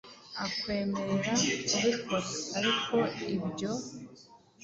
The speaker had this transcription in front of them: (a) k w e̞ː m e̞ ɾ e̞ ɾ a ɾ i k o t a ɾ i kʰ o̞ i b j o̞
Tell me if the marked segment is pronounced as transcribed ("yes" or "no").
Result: yes